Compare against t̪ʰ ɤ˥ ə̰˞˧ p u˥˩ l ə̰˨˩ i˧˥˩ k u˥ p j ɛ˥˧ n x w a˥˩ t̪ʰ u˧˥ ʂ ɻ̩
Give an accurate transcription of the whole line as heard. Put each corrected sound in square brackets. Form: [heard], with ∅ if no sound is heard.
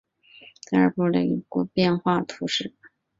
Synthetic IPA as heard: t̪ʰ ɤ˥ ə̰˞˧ p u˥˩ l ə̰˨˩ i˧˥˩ k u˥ p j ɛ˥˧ n x w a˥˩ t̪ʰ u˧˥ ʂ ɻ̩